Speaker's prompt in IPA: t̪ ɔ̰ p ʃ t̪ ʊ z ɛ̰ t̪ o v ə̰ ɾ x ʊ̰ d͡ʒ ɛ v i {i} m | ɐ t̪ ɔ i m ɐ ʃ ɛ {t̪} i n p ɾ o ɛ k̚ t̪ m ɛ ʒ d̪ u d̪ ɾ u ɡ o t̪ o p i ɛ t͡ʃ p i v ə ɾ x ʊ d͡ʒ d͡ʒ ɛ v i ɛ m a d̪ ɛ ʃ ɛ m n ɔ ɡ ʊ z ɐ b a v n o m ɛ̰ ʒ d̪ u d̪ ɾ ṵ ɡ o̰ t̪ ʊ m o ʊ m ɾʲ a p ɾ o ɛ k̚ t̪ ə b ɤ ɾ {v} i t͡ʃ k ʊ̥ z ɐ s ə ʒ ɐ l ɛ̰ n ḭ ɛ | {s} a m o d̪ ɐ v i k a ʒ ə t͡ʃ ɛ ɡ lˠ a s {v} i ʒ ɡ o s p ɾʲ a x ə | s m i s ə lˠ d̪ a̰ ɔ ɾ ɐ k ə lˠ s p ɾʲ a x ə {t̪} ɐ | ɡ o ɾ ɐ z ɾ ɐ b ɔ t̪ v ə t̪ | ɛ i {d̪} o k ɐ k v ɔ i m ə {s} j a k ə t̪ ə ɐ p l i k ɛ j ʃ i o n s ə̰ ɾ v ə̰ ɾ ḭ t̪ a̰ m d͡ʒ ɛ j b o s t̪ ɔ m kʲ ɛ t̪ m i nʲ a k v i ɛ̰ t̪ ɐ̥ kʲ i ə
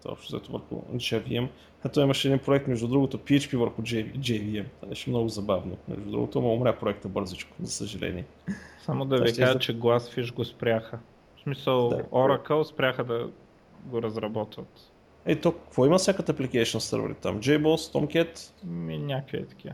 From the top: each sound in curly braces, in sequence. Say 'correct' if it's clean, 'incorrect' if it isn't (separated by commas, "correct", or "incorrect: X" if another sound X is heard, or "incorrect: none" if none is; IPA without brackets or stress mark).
incorrect: ɛ, incorrect: d̪, incorrect: z, correct, incorrect: f, incorrect: d̪, incorrect: t̪, correct